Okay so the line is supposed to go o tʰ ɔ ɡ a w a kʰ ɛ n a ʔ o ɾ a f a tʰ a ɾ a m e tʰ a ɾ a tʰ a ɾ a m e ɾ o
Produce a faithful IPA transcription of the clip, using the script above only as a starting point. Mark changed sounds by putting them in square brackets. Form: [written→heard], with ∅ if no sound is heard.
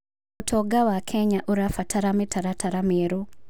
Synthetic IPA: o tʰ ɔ ɡ a w a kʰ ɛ [n→ɲ] a ʔ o ɾ a f a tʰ a ɾ a m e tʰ a ɾ a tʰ a ɾ a m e ɾ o